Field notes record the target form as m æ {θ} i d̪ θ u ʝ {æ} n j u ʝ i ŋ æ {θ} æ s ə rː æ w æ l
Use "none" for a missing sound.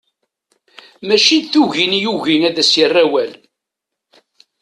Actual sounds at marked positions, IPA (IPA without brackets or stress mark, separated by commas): ʃ, i, ð